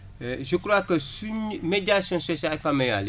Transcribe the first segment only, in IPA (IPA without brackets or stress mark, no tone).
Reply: ʒ